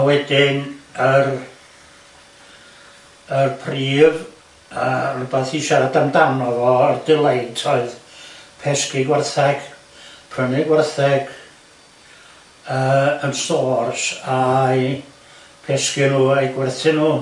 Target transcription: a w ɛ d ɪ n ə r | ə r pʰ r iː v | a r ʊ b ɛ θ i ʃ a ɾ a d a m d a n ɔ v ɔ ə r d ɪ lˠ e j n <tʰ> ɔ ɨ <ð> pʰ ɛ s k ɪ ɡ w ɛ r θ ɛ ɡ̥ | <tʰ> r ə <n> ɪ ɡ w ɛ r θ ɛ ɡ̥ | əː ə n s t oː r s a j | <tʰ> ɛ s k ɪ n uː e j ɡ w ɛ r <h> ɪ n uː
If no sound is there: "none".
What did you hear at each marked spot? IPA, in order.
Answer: tʰ, ð, pʰ, n, pʰ, θ

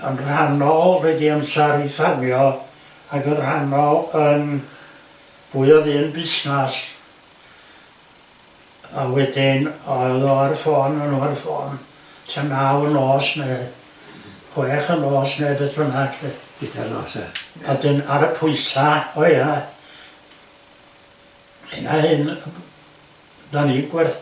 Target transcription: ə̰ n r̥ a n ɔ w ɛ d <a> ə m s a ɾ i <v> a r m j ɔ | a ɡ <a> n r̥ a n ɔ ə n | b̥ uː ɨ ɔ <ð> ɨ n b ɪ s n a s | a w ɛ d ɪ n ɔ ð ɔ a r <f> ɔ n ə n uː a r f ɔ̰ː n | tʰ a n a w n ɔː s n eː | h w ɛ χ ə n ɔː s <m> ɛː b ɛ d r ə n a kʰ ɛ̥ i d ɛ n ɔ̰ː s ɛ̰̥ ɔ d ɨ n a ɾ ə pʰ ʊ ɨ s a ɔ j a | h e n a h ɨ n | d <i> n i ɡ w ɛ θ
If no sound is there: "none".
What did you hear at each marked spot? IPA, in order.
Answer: i, f, ə, ð, f, n, a

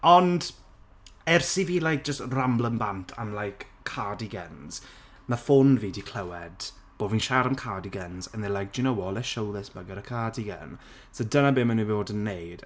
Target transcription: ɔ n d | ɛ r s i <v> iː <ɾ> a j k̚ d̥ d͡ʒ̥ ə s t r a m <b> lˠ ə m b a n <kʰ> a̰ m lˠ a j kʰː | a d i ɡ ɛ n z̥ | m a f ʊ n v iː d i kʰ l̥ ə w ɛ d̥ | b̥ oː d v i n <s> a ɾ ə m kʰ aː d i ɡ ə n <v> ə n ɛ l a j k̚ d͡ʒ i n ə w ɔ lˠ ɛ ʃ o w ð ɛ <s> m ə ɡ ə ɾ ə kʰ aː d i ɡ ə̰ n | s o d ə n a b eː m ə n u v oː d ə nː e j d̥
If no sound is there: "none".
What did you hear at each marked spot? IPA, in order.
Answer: v, l, b, tʰ, ʃ, z, s

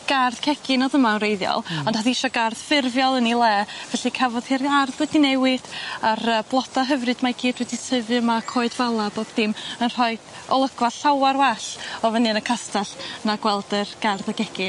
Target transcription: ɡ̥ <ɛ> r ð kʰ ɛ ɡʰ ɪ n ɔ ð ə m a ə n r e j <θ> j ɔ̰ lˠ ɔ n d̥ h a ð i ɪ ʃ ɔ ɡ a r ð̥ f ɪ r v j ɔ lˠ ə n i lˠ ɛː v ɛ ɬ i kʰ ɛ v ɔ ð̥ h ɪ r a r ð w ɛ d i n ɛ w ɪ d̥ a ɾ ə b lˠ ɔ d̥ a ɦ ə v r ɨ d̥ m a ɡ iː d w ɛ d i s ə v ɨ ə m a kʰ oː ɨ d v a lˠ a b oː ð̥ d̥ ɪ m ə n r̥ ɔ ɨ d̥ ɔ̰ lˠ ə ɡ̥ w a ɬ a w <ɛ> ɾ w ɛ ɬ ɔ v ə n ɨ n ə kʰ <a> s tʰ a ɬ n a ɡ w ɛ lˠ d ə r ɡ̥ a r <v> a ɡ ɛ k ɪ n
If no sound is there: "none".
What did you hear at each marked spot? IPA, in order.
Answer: a, ð, a, a, ð

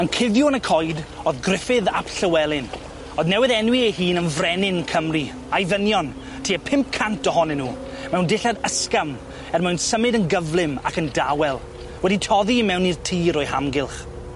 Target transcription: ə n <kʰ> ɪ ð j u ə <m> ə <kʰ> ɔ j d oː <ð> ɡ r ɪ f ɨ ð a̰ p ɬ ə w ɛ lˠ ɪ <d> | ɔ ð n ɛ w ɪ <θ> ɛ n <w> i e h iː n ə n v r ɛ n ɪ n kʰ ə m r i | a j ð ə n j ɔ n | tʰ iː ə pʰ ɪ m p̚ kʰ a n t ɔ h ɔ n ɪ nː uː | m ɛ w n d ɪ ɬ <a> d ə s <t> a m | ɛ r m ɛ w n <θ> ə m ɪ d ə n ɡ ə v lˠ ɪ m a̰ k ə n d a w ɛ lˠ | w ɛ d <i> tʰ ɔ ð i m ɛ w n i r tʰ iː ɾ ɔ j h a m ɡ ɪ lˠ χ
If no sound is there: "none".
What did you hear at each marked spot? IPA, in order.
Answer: kʰ, n, kʰ, ð, n, ð, w, a, k, s, i

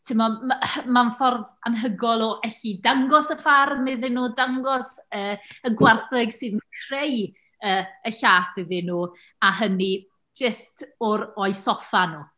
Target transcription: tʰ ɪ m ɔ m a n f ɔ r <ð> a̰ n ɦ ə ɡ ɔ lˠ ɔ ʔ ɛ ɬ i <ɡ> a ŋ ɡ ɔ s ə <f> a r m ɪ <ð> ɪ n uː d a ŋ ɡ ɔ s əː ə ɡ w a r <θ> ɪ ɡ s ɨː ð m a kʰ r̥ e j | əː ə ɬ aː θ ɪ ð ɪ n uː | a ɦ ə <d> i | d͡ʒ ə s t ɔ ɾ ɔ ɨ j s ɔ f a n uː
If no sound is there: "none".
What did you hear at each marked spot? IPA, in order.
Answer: ð, d, f, ð, θ, n

